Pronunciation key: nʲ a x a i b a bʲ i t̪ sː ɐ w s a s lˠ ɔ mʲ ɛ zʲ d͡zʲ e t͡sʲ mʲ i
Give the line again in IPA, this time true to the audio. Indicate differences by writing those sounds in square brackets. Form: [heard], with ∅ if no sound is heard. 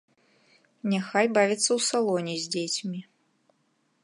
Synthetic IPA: nʲ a x a [j] b a [vʲ] i t̪ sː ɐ w s a [∅] lˠ ɔ [nʲ] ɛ zʲ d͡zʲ e t͡sʲ mʲ i